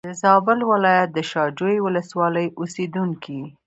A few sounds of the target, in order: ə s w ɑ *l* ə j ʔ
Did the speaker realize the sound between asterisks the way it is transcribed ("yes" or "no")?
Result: yes